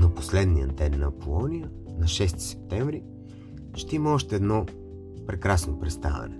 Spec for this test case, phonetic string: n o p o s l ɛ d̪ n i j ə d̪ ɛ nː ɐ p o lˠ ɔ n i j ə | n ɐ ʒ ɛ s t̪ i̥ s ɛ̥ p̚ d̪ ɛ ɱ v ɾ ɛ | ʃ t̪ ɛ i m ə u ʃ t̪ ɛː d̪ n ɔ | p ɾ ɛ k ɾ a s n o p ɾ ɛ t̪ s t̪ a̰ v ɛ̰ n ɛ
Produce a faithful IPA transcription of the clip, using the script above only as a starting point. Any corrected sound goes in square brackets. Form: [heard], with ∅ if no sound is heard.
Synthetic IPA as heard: n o p o s l ɛ d̪ n i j ə d̪ ɛ nː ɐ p o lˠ ɔ n i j ə | n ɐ [ʃ] ɛ s t̪ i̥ s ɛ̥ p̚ [t̪] ɛ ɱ v ɾ [i] | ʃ t̪ ɛ i m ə [ɔ] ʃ t̪ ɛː d̪ n ɔ | p ɾ ɛ k ɾ a s n o p ɾ ɛ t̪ s t̪ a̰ v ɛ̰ n ɛ